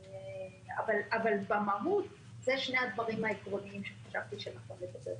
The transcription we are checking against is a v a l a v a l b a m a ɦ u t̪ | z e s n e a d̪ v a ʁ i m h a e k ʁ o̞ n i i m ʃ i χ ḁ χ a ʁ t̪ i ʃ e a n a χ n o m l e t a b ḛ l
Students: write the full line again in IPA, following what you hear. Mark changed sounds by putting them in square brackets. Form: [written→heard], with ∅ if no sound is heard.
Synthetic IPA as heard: a v a l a v a l b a m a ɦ u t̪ | z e [s→ʃ] n e a d̪ v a ʁ i m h a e k ʁ o̞ n i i m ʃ [i→e] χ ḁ [χ→ʃ] a [ʁ→v] t̪ i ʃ e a n a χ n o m l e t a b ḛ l